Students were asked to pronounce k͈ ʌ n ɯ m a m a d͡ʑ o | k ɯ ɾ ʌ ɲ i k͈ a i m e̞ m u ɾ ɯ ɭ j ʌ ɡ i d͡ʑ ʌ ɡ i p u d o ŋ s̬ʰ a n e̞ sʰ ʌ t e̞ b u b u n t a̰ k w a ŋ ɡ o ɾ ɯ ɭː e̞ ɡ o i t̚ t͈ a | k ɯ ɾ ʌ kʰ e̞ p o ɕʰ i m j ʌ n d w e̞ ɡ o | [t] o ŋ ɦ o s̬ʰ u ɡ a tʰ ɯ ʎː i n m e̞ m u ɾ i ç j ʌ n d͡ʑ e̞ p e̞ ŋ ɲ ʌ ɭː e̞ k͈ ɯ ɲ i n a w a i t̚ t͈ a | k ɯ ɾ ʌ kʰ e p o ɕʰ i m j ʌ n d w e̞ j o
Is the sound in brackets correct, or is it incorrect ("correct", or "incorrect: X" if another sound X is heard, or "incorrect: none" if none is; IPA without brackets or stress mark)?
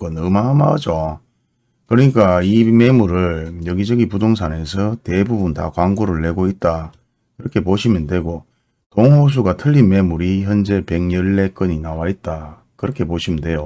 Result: correct